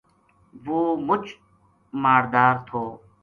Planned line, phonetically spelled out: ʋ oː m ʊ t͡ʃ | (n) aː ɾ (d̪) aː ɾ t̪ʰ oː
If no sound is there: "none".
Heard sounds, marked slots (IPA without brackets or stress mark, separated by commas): m, d̪